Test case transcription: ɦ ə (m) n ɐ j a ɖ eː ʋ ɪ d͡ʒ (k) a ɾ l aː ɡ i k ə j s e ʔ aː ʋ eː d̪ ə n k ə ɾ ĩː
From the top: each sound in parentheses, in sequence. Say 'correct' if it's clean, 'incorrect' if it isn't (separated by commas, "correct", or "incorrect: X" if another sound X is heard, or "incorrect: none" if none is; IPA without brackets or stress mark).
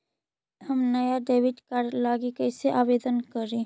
correct, correct